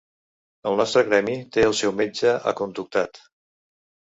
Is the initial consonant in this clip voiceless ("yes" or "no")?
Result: no